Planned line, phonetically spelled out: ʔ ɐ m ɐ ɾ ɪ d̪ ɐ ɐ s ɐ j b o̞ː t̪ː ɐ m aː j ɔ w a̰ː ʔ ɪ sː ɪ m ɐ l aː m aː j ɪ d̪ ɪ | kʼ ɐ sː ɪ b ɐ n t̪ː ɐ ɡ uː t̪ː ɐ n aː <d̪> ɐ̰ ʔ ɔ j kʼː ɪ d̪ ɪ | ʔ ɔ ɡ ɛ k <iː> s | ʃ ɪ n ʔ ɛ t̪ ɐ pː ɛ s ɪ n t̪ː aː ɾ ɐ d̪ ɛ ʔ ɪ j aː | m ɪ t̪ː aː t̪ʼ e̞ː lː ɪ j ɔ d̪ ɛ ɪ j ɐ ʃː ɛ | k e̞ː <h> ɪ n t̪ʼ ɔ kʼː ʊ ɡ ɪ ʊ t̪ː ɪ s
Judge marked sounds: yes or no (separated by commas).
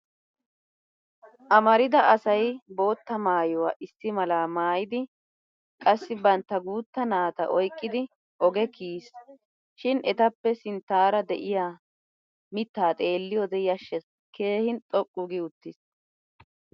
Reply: no, yes, yes